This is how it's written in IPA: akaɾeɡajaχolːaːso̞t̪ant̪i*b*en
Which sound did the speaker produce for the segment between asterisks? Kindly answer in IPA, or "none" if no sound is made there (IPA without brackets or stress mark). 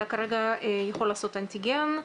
ɡ